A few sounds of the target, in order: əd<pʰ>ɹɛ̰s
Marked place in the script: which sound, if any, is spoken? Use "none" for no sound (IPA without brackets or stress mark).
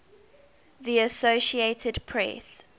pʰ